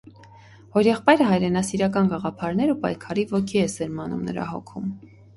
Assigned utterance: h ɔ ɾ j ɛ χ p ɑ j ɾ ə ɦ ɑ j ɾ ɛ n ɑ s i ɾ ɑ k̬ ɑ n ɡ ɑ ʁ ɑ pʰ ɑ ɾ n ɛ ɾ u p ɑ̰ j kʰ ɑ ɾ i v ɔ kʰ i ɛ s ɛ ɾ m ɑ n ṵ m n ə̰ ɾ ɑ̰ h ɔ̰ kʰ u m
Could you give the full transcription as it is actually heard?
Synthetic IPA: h ɔ ɾ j ɛ χ p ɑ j ɾ ə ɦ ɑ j ɾ ɛ n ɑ s i ɾ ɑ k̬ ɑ n ɡ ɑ ʁ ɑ pʰ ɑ ɾ n ɛ ɾ u p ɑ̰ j kʰ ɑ ɾ i v ɔ kʰ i ɛ s ɛ ɾ m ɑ n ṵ m n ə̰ ɾ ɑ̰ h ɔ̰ kʰ u m